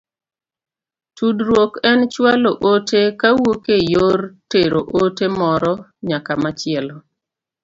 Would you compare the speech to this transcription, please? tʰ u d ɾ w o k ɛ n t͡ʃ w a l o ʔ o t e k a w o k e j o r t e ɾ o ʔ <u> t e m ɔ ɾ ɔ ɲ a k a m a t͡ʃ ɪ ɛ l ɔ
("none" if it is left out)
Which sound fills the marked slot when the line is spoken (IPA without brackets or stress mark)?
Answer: o